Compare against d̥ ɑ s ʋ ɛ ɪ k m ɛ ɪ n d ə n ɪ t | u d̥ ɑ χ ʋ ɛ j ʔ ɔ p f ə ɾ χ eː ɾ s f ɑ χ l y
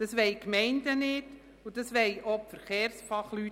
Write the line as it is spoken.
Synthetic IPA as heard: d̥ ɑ s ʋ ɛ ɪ k m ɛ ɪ n d ə n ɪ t | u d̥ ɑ s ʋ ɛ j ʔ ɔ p f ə ɾ χ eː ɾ s f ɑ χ l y